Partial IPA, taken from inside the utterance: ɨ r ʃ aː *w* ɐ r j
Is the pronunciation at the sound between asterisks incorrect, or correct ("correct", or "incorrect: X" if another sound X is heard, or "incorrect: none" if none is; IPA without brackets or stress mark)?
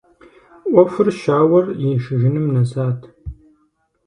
correct